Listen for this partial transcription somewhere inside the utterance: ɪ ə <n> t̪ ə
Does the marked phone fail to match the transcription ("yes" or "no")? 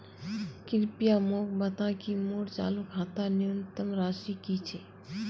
no